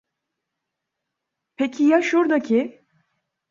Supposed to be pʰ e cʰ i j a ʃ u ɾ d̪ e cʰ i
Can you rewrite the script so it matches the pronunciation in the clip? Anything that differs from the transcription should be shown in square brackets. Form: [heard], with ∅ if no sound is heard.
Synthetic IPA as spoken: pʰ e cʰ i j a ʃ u ɾ d̪ [a] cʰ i